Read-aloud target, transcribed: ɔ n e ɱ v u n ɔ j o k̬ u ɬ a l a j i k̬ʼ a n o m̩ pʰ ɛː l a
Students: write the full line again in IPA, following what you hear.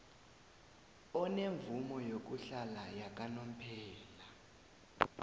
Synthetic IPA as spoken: ɔ n e ɱ v u m ɔ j o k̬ u ɬ a l a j a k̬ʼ a n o m̩ pʰ ɛː l a